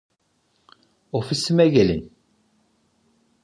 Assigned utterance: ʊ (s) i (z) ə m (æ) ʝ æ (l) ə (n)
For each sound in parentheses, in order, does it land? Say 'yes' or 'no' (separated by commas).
no, no, yes, yes, yes